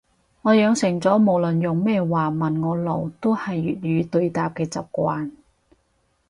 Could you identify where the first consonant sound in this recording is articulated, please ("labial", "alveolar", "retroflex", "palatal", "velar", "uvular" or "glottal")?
velar